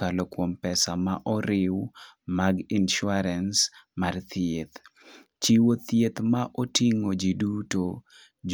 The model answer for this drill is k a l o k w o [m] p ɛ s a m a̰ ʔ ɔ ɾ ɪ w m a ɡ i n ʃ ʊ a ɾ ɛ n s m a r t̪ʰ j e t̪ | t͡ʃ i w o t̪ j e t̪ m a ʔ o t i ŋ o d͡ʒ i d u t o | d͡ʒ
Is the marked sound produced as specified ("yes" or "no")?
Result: yes